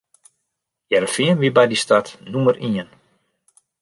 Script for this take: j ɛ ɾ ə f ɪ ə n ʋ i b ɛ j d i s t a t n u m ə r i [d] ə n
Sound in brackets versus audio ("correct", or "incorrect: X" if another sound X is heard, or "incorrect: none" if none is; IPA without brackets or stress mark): incorrect: none